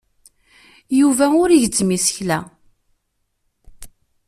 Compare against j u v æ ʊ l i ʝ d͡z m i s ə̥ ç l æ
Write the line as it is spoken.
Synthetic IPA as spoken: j u v æ ʊ ɾ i ʝ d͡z m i s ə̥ ç l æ